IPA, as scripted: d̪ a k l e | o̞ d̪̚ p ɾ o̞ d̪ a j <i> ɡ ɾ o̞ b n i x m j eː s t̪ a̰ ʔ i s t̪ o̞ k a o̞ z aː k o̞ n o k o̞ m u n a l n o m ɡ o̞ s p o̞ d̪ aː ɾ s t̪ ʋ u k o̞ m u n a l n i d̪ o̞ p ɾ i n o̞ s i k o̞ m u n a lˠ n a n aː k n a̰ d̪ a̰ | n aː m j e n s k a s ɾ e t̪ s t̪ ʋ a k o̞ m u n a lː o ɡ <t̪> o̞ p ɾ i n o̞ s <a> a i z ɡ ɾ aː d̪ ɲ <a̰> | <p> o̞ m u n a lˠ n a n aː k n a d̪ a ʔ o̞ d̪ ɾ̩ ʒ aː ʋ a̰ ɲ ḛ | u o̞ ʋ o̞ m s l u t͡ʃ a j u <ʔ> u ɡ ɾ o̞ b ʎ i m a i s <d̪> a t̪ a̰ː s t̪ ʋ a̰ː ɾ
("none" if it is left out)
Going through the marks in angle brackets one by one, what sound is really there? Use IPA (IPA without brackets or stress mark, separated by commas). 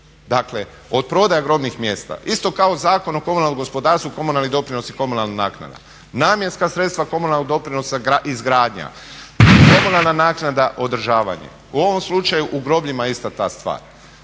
a, d̪, a, a̰, k, ʔ, t̪